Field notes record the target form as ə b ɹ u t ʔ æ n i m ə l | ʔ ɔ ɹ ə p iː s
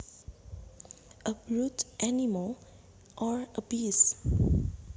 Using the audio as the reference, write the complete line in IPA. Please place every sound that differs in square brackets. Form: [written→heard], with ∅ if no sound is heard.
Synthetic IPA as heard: ə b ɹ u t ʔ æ n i m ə l | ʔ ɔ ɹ ə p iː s